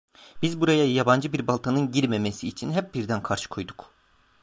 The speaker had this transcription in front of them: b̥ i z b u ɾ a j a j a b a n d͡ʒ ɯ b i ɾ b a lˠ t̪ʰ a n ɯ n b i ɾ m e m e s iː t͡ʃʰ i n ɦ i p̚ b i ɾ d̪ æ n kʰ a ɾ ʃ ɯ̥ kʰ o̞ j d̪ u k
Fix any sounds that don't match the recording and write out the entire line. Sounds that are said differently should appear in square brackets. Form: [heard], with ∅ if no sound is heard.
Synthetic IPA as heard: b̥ i z b u ɾ a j a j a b a n d͡ʒ ɯ b i ɾ b a lˠ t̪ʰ a n ɯ n [ɟ] i ɾ m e m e s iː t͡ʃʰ i n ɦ [ɛ] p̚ b i ɾ d̪ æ n kʰ a ɾ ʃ ɯ̥ kʰ o̞ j d̪ u k